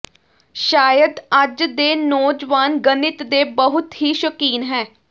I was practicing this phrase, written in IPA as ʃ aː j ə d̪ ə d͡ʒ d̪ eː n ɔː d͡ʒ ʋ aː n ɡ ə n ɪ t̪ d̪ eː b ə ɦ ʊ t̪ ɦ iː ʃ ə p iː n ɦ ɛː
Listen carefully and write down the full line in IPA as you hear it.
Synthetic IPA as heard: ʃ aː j ə d̪ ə d͡ʒ d̪ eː n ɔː d͡ʒ ʋ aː n ɡ ə n ɪ t̪ d̪ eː b ə ɦ ʊ t̪ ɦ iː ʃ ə k iː n ɦ ɛː